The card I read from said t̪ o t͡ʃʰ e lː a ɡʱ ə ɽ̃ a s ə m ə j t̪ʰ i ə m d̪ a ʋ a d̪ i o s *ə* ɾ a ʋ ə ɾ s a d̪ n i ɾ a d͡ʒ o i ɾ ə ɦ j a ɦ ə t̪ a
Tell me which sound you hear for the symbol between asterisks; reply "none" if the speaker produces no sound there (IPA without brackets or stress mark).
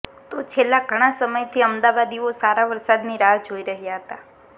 a